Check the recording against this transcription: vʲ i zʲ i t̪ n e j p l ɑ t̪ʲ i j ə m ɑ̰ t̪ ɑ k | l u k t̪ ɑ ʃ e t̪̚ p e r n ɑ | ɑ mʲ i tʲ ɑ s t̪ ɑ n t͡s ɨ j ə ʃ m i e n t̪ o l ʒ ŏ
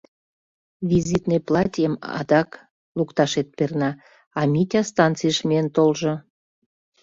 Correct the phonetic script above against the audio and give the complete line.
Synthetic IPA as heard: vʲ i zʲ i t̪ n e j p l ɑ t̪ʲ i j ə m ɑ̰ d̪ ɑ k | l u k t̪ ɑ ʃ e t̪̚ p e r n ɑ | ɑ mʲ i tʲ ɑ s t̪ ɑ n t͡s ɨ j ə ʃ m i e n t̪ o l ʒ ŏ